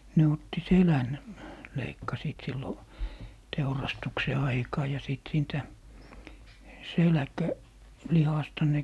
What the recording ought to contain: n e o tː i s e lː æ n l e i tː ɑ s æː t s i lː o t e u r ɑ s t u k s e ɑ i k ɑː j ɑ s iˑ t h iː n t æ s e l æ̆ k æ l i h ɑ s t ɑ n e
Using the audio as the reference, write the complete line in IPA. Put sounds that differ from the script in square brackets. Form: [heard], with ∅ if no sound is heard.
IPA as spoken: n e o tː i s e [l] æ n l e i [kː] ɑ s [iː] t s i lː o t e u r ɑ s t u k s e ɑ i k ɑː j ɑ s iˑ t [s] iː n t æ s e l æ̆ k æ l i h ɑ s t ɑ n e